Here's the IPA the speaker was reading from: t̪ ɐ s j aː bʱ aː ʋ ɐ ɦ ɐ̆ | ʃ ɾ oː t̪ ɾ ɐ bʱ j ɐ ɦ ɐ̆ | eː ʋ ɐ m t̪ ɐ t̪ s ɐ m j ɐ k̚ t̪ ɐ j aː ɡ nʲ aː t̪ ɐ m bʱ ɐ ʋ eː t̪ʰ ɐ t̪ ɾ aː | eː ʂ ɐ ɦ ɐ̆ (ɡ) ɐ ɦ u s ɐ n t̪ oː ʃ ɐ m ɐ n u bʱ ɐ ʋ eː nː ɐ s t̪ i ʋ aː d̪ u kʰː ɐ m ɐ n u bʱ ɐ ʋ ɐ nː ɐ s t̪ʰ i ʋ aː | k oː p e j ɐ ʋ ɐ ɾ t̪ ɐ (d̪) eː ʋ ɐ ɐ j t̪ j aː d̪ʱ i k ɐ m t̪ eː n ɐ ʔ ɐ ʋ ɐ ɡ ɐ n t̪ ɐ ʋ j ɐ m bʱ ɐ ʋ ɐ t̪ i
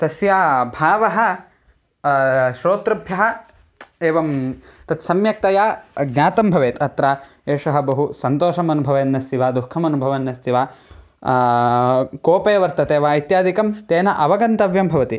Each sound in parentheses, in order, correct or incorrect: incorrect, incorrect

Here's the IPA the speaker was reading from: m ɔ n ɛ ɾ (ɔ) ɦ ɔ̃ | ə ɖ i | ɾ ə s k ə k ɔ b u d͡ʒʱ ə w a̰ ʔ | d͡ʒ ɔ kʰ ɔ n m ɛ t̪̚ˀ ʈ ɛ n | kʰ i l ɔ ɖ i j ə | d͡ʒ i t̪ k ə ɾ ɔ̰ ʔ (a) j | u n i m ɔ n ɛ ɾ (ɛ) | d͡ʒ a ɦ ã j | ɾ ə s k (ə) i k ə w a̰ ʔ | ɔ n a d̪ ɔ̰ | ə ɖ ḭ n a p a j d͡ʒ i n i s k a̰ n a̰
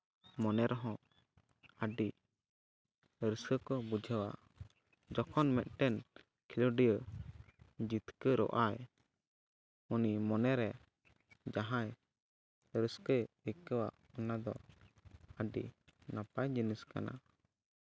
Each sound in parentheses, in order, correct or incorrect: correct, correct, correct, correct

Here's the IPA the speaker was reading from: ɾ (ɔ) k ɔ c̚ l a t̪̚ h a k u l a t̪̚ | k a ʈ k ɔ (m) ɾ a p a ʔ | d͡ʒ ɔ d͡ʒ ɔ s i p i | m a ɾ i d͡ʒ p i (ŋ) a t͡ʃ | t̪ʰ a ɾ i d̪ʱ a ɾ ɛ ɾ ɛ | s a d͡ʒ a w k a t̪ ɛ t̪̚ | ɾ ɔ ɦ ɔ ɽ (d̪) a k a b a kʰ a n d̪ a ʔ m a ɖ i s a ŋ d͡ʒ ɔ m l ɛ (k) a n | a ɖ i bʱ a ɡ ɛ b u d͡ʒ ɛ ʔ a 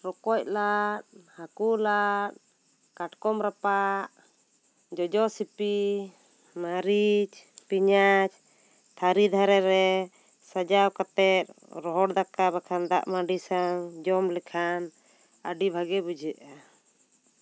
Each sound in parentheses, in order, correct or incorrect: correct, correct, incorrect, correct, incorrect

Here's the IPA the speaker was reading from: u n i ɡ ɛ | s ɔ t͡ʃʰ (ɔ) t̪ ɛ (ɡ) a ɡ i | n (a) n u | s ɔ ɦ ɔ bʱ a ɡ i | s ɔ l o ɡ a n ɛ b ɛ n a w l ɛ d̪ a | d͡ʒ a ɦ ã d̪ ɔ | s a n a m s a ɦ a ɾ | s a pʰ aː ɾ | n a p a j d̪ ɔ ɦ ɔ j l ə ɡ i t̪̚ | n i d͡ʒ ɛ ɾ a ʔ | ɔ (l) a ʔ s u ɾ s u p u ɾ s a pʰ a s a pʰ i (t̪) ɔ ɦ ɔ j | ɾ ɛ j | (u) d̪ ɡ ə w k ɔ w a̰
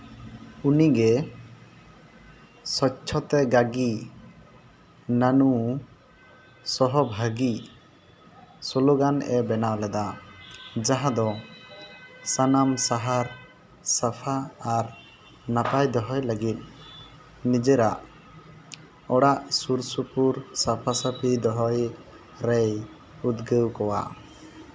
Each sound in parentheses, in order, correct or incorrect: correct, correct, correct, incorrect, incorrect, correct

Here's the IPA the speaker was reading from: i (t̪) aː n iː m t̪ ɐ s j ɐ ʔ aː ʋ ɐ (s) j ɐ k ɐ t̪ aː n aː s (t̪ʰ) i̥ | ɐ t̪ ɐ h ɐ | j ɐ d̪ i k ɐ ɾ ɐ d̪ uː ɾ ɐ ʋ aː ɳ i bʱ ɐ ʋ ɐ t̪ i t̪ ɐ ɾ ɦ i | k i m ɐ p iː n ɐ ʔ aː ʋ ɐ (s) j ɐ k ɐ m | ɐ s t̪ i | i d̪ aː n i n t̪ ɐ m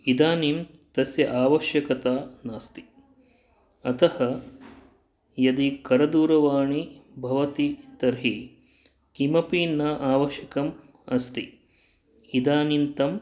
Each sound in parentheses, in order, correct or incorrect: incorrect, incorrect, incorrect, incorrect

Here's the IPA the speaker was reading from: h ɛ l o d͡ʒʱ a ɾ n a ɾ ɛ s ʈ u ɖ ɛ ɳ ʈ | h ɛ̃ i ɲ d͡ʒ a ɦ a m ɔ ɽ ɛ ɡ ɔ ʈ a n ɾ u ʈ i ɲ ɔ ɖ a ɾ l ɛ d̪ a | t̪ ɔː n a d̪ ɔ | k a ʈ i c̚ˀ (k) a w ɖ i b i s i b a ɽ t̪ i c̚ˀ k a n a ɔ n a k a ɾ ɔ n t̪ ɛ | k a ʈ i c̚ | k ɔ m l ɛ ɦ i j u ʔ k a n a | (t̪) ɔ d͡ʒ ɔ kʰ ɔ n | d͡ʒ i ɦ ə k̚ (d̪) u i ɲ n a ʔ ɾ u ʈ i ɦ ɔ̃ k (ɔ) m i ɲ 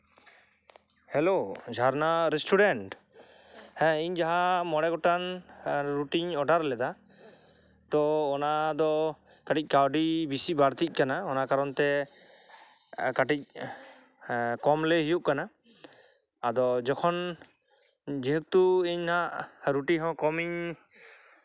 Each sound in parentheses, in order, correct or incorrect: correct, incorrect, incorrect, correct

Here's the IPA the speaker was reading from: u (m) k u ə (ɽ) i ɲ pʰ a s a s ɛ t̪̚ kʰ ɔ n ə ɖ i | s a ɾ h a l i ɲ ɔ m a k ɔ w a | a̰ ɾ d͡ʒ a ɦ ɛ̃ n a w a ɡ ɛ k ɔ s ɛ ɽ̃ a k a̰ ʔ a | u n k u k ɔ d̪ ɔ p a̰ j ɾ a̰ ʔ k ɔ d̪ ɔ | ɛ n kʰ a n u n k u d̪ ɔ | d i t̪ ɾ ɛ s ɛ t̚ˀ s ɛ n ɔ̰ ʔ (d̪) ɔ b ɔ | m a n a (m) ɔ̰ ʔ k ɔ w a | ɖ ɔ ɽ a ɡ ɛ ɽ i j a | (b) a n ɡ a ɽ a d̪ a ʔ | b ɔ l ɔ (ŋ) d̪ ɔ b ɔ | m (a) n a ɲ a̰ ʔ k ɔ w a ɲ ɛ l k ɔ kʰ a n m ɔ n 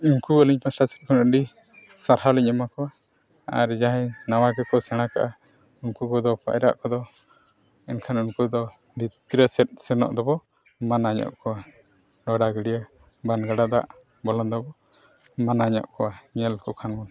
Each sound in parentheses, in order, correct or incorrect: incorrect, incorrect, correct, incorrect, correct, incorrect, correct

